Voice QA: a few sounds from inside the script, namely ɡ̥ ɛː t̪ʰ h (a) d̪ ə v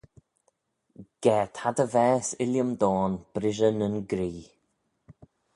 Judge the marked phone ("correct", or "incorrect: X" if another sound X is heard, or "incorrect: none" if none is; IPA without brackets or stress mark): correct